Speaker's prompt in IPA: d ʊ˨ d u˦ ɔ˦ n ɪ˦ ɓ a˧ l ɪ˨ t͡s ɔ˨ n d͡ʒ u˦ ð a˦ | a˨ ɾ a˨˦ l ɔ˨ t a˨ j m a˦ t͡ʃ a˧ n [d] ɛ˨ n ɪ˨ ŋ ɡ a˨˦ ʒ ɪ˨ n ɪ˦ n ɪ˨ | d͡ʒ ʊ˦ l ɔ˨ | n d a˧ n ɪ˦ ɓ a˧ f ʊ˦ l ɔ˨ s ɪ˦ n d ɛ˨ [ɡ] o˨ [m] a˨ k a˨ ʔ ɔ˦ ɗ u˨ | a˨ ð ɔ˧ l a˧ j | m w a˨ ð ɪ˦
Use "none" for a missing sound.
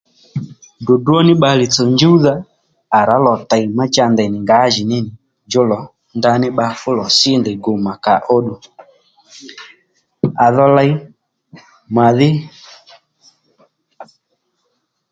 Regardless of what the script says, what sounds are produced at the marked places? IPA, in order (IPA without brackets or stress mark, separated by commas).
d, ɡ, m